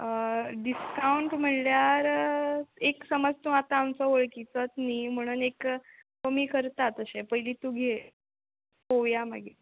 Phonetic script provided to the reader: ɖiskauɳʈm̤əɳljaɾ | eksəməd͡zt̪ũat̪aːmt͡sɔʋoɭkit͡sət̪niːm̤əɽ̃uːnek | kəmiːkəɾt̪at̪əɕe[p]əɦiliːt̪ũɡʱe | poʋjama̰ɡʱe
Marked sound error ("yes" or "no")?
no